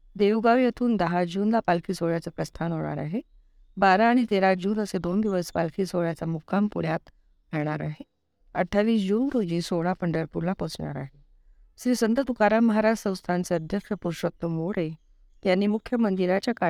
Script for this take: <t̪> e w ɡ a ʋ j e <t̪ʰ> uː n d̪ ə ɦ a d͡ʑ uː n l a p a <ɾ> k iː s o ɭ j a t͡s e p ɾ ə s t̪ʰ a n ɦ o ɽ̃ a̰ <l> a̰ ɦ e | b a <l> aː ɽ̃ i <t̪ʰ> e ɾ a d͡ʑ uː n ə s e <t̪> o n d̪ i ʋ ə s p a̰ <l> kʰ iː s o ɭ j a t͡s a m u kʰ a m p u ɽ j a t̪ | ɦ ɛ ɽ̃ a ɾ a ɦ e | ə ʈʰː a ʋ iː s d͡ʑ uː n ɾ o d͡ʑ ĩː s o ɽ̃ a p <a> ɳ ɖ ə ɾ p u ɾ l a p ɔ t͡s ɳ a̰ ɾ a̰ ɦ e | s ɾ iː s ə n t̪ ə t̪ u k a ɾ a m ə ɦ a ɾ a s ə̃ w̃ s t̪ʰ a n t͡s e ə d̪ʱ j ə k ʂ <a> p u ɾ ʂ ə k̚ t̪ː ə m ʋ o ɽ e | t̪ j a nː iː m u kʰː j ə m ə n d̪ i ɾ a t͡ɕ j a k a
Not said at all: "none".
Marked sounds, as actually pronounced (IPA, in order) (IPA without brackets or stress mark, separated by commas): d̪, t̪ʰ, l, ɾ, ɾ, t̪, d̪, l, ə, ə